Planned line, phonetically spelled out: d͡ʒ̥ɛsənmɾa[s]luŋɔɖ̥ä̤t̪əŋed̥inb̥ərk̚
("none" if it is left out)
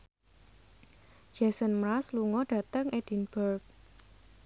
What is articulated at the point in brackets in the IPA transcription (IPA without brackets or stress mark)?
s